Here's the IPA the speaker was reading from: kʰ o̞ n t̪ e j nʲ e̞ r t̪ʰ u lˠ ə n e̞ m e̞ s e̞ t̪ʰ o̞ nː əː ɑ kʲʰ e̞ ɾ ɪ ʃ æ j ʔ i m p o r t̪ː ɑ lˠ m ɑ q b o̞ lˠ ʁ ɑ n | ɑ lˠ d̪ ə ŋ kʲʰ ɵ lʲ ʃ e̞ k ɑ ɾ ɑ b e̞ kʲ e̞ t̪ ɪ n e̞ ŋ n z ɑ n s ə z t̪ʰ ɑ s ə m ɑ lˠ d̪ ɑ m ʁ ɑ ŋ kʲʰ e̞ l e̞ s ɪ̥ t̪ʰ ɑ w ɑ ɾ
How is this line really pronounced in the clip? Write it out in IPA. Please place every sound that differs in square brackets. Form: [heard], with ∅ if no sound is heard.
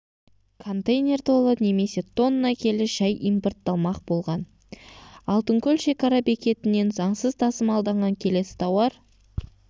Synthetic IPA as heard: kʰ o̞ n t̪ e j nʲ e̞ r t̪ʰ [o] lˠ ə n e̞ m e̞ s e̞ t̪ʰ o̞ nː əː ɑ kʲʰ e̞ [l] ɪ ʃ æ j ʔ i m p o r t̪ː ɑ lˠ m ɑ q b o̞ lˠ ʁ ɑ n | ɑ lˠ [t̪] ə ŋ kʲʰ ɵ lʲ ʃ e̞ k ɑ ɾ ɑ b e̞ kʲ e̞ t̪ ɪ n e̞ [∅] n z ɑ [ɴ] s ə z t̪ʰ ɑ s ə m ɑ lˠ d̪ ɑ [ɴ] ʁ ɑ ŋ kʲʰ e̞ l e̞ s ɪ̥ t̪ʰ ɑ w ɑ ɾ